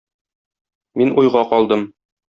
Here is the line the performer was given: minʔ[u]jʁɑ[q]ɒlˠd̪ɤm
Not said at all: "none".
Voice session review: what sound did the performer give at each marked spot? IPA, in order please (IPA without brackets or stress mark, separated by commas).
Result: u, q